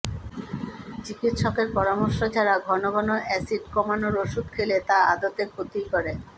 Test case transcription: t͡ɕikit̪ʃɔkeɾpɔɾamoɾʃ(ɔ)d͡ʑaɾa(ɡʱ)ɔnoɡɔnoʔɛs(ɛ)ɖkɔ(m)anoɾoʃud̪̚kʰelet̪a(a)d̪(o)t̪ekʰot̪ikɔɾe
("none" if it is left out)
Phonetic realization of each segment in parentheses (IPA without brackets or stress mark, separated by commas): o, ɡʱ, i, m, a, o